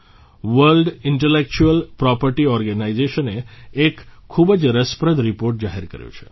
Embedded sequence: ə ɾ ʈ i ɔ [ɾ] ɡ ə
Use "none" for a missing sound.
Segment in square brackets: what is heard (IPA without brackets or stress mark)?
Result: ɾ